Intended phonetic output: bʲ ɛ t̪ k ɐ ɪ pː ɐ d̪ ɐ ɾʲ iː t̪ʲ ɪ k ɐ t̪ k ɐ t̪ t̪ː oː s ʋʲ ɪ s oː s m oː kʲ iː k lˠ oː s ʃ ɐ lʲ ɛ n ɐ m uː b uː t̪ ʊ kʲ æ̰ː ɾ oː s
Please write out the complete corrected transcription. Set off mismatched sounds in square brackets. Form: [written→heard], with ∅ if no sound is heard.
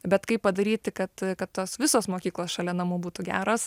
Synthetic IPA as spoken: bʲ ɛ t̪ k ɐ ɪ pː ɐ d̪ ɐ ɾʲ iː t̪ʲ ɪ k ɐ t̪ k ɐ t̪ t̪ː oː s ʋʲ ɪ s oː s m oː kʲ iː k lˠ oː s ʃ ɐ lʲ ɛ n ɐ m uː b uː t̪ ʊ [kʲ→ɡʲ] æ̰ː ɾ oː s